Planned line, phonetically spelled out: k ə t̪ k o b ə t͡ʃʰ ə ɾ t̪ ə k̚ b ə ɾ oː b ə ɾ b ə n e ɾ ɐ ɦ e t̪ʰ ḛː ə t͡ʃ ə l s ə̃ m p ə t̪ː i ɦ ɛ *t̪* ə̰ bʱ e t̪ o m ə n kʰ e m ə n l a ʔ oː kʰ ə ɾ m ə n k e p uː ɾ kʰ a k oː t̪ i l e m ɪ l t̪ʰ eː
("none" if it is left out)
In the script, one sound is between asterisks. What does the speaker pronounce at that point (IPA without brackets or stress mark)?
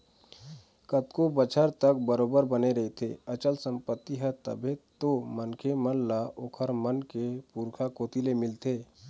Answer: t̪